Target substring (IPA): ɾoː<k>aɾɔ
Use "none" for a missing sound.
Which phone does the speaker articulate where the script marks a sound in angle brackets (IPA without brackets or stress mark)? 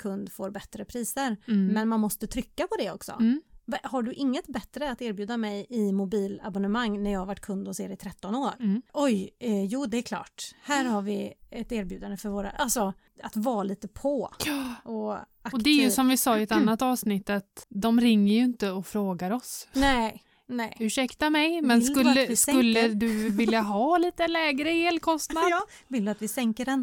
ɡ